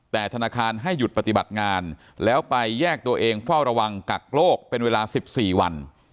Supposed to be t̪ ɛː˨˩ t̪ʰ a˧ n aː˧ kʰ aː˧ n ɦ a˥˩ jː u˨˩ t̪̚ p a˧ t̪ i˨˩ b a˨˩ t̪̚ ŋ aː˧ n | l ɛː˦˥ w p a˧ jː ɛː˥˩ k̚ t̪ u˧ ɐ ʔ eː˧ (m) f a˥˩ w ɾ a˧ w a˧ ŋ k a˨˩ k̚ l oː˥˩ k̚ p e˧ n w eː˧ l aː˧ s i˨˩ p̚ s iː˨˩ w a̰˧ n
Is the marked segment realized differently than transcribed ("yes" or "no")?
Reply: yes